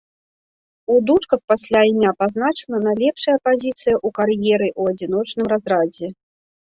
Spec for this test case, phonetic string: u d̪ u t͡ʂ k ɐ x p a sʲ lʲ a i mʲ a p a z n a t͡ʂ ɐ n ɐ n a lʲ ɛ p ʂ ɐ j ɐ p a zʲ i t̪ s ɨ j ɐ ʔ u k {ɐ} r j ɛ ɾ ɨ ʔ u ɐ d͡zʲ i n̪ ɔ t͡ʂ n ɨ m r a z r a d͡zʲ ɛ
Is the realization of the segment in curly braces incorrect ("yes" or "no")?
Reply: yes